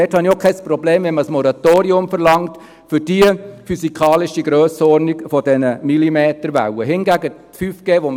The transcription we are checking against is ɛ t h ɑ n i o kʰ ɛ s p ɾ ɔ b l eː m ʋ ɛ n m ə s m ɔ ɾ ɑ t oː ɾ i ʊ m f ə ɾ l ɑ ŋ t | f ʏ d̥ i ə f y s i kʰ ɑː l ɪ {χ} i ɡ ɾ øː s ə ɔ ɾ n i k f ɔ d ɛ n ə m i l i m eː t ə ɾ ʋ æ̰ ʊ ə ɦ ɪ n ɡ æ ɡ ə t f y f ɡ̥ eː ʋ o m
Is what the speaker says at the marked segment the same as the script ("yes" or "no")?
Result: no